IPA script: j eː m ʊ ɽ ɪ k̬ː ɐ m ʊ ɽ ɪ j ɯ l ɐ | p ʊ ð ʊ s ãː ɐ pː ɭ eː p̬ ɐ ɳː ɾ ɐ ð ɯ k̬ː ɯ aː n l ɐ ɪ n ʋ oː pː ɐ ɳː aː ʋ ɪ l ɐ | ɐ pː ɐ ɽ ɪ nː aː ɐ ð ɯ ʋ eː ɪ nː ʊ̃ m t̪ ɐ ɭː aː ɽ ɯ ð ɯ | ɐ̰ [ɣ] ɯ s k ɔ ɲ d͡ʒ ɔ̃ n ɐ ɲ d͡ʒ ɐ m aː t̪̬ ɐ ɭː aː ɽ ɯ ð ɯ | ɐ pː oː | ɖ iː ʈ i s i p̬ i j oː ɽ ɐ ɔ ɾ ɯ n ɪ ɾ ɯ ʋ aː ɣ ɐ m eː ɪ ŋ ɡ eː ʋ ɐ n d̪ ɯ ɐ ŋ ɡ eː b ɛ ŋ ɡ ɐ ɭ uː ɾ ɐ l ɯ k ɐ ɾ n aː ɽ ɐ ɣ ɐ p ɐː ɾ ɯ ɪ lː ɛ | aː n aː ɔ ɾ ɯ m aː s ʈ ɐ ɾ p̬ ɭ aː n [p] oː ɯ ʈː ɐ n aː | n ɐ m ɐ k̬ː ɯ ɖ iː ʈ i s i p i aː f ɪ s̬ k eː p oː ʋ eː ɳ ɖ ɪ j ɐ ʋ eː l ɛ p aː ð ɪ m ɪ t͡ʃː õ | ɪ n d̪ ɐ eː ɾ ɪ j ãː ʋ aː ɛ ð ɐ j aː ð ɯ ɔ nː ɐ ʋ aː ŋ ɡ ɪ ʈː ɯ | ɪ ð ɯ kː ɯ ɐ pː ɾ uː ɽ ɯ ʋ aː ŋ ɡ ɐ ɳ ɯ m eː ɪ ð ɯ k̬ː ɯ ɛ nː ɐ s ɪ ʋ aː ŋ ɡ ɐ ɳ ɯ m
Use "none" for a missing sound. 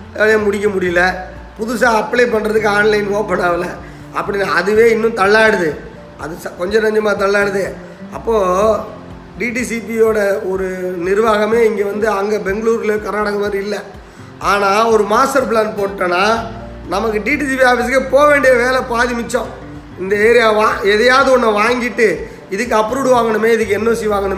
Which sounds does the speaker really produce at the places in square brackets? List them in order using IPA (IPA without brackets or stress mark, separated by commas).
ð, p